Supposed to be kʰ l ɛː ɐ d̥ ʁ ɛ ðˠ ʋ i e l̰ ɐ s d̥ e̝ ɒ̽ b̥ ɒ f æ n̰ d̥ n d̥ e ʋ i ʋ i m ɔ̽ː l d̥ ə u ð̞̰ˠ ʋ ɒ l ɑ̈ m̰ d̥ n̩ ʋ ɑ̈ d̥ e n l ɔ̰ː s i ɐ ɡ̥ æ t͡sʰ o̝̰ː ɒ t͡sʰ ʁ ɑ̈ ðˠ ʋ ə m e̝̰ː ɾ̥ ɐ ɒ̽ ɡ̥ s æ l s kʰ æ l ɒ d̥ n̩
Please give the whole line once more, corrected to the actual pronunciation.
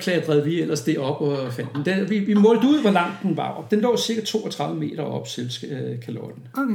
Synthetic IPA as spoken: kʰ l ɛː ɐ d̥ ʁ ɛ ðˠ ʋ i e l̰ ɐ s d̥ e̝ ɒ̽ b̥ ɒ f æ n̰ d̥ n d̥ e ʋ i ʋ i m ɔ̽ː l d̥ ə u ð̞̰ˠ ʋ ɒ l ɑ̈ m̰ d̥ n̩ ʋ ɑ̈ d̥ e n l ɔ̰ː s i ɐ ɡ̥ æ t͡sʰ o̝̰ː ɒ t͡sʰ ʁ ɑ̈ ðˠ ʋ ə m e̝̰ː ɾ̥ ɐ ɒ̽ b̥ s e l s kʰ æ l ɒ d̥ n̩